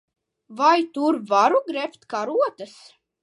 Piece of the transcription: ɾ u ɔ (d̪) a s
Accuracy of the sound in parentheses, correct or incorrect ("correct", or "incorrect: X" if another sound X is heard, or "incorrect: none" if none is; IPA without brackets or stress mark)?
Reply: incorrect: t̪